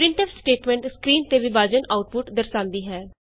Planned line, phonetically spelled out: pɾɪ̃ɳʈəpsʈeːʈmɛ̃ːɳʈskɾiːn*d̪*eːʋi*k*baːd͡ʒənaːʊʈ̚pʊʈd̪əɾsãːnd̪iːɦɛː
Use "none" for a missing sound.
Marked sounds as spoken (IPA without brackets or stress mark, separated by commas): t̪, none